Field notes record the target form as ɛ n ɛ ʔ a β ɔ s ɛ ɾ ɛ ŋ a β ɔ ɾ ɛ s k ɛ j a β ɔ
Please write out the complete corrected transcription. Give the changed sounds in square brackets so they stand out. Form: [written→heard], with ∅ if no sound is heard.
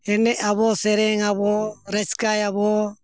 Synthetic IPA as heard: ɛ n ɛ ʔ a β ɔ s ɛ ɾ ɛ ŋ a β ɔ ɾ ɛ s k [ɛ→a] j a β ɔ